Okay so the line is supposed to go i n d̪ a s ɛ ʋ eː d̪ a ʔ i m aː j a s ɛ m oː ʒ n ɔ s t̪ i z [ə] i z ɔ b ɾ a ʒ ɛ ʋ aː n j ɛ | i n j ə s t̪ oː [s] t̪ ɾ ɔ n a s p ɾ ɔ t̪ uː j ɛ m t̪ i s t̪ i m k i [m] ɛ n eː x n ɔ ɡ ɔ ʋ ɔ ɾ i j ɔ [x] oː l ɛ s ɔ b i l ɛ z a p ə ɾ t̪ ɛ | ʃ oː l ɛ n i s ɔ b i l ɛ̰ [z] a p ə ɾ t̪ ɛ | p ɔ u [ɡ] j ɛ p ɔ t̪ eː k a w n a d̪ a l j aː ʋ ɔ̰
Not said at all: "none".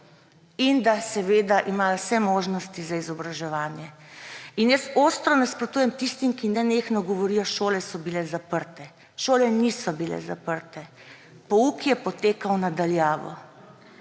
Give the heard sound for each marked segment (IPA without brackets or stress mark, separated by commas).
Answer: a, s, n, ʃ, z, k